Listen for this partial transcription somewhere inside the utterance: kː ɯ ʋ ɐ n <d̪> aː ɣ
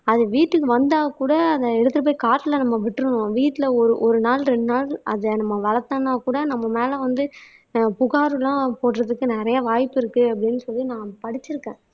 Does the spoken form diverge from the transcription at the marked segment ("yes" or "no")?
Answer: no